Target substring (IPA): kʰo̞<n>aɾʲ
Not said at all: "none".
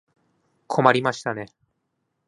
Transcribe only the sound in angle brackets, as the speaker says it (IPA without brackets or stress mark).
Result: m